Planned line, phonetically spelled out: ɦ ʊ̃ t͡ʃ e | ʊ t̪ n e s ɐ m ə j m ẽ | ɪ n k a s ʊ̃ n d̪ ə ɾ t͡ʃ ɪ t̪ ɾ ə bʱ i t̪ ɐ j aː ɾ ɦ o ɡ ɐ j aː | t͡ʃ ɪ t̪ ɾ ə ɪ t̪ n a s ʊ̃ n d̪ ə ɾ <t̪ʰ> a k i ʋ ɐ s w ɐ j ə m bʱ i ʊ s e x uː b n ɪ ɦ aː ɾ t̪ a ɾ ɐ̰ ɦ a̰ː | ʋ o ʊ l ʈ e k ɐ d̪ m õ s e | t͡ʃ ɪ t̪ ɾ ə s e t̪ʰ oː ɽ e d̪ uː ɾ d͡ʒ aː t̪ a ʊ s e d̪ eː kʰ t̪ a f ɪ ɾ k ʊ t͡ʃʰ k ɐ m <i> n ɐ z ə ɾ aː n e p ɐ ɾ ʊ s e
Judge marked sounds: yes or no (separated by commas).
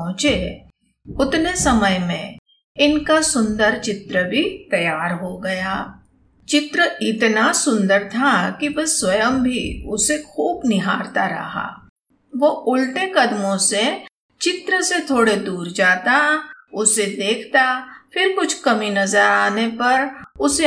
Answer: yes, yes